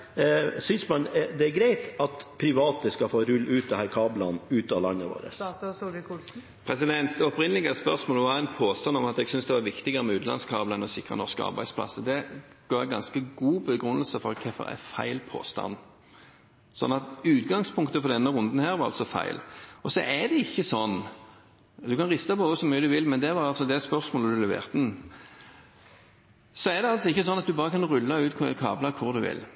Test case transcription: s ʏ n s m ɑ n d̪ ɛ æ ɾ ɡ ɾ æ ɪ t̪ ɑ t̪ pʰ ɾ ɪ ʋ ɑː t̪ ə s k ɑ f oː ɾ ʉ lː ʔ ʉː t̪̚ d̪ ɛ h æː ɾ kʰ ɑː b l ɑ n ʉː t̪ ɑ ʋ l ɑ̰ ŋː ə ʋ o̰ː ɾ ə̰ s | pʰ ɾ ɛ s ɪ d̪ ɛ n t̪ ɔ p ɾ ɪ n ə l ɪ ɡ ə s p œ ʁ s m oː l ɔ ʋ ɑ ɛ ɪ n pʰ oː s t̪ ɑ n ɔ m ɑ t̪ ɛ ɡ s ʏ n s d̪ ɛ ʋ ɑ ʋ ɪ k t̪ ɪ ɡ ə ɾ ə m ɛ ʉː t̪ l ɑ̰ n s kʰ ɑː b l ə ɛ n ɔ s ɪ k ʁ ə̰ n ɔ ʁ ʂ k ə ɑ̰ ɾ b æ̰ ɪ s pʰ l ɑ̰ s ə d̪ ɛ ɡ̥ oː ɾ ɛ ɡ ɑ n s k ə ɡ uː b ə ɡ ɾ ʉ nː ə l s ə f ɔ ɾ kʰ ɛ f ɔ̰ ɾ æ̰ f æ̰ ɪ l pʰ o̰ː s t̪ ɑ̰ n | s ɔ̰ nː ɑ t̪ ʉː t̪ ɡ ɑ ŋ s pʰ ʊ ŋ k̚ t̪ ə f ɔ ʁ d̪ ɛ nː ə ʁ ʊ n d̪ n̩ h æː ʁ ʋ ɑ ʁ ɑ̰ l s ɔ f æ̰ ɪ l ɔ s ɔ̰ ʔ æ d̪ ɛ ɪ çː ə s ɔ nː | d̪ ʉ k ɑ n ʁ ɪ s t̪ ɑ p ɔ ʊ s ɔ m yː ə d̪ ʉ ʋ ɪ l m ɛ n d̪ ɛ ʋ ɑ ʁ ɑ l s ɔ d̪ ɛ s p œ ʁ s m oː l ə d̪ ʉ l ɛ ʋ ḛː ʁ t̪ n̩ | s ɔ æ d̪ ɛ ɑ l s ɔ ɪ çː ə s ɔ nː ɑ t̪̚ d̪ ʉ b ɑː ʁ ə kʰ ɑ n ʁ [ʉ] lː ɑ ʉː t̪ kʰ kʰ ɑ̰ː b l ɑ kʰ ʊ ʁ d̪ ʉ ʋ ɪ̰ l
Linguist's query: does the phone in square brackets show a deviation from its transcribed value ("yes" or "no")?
no